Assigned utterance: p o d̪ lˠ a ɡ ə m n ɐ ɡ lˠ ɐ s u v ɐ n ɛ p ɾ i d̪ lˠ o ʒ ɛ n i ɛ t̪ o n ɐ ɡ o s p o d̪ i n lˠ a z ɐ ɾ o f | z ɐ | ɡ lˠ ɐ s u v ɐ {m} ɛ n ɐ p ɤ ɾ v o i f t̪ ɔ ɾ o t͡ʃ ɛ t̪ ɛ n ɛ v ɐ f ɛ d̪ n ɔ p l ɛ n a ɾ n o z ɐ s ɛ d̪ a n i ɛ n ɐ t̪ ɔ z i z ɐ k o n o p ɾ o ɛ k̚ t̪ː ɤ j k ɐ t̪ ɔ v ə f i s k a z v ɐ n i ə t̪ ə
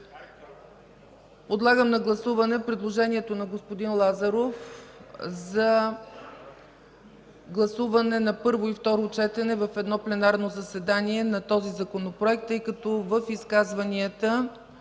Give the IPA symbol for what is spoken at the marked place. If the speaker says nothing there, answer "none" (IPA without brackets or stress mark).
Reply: n